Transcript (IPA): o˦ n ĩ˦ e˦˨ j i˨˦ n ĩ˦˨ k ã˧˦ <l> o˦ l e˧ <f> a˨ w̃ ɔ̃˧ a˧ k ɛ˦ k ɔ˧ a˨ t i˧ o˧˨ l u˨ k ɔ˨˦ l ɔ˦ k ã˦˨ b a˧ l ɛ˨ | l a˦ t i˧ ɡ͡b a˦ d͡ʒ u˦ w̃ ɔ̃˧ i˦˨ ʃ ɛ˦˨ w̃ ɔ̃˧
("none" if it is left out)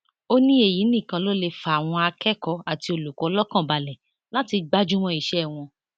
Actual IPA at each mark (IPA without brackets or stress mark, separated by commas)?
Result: l, f